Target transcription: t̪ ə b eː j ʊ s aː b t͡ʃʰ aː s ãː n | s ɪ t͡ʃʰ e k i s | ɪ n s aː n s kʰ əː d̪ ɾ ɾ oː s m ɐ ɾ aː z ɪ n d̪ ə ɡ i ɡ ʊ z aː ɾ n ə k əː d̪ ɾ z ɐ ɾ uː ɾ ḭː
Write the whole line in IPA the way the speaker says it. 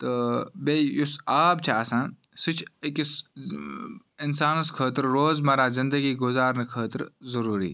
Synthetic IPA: t̪ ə b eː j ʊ s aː b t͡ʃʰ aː s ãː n | s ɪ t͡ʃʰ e k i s | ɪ n s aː n s kʰ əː t̪ ɾ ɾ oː z m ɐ ɾ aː z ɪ n d̪ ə ɡ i ɡ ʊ z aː ɾ n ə kʰ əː t̪ ɾ z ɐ ɾ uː ɾ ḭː